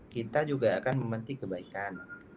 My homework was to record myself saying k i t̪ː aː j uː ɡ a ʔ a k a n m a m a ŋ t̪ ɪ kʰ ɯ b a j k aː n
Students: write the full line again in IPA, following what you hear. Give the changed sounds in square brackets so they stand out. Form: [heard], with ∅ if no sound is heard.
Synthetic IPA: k i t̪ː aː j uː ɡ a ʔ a k a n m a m a [n] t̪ [i] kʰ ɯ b a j k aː n